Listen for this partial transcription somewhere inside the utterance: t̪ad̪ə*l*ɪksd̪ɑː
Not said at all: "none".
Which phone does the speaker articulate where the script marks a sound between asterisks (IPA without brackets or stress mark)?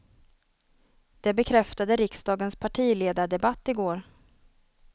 ɾ